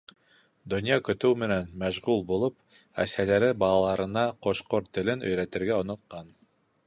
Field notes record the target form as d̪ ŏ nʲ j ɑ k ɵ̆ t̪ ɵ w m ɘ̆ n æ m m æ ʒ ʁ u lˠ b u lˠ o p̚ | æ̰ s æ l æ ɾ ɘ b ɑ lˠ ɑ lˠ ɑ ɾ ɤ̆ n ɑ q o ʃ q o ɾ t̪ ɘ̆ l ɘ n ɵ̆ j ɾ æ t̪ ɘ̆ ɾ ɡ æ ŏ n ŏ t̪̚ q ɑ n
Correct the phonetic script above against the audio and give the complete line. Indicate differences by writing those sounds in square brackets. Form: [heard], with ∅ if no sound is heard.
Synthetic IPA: d̪ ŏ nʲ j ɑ k ɵ̆ t̪ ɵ w m ɘ̆ n æ [n] m æ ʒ ʁ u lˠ b u lˠ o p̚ | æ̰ s æ l æ ɾ ɘ b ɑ lˠ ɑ lˠ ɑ ɾ ɤ̆ n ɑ q o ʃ q o ɾ t̪ ɘ̆ l ɘ n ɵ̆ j ɾ æ t̪ ɘ̆ ɾ ɡ æ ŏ n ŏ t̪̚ q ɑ n